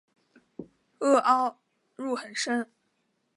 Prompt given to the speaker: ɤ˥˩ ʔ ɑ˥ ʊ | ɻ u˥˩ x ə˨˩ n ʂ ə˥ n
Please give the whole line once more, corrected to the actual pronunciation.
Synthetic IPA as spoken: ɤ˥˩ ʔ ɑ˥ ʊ | ɻ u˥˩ x ə˨˩ n ʂ ə˥ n

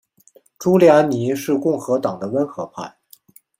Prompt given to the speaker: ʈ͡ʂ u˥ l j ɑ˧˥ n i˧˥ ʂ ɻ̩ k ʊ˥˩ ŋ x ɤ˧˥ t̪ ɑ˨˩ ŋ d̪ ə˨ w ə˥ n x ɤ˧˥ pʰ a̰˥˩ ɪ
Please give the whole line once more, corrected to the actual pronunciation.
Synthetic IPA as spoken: ʈ͡ʂ u˥ l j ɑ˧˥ n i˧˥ ʂ ɻ̩ k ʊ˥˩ ŋ x ɤ˧˥ t̪ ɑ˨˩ ŋ d̪ ə˦ w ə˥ n x ɤ˧˥ pʰ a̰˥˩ ɪ

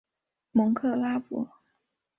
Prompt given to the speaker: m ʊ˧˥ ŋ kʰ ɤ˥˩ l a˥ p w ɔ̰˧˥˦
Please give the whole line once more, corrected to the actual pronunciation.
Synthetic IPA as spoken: m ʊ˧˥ ŋ kʰ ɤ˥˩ l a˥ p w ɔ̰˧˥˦

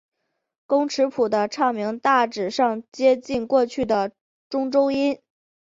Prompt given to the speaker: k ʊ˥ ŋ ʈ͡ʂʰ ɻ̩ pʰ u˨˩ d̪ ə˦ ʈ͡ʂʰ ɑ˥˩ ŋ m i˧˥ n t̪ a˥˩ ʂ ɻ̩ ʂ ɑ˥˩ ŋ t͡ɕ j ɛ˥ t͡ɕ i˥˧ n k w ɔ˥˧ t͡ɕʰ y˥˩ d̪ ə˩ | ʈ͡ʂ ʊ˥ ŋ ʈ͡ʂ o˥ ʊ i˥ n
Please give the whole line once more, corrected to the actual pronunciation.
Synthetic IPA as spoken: k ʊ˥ ŋ ʈ͡ʂʰ ɻ̩ pʰ u˨˩ d̪ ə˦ ʈ͡ʂʰ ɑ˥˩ ŋ m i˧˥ ŋ t̪ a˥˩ ʈ͡ʂ ɻ̩ ʂ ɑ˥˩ ŋ t͡ɕ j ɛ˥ t͡ɕ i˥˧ n k w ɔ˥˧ t͡ɕʰ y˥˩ d̪ ə˩ | ʈ͡ʂ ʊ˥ ŋ ʈ͡ʂ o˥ ʊ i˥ n

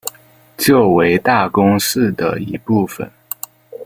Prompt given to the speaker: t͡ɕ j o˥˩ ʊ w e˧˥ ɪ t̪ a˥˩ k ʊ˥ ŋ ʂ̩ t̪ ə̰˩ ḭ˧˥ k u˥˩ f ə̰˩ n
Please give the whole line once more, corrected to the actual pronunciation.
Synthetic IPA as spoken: t͡ɕ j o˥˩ ʊ w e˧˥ ɪ t̪ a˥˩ k ʊ˥ ŋ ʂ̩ d̪ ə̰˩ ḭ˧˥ p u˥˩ f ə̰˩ n

